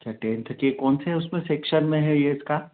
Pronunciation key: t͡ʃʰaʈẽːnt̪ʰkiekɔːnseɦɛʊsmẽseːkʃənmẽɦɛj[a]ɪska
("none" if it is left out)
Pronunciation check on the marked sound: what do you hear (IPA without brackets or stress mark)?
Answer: e